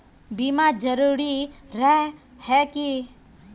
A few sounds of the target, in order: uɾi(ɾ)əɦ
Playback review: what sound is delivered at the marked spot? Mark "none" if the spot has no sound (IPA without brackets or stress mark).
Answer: ɾ